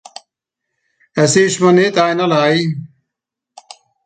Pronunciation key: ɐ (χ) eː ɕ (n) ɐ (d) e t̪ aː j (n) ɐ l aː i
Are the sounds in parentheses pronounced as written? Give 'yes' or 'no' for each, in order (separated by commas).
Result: no, no, no, yes